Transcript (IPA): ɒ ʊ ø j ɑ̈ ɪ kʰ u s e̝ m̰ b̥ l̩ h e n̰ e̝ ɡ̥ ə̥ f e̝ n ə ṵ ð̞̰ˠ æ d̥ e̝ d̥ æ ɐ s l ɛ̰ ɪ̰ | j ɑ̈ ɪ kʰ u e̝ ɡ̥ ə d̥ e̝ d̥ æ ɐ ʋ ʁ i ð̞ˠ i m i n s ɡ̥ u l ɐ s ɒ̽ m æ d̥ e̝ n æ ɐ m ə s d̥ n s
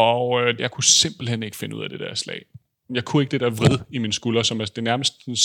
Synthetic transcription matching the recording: ɒ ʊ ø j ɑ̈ ɪ kʰ u s e̝ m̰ b̥ l̩ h e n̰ e̝ ɡ̥ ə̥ f e̝ n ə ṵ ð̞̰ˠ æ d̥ e̝ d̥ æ ɐ s l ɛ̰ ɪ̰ | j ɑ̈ ɪ kʰ u e̝ ɡ̥ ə d̥ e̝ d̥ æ ɐ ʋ ʁ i ð̞ˠ i m i n s ɡ̥ u l ɐ s ɒ̽ m æ d̥ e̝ n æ ɐ m ə s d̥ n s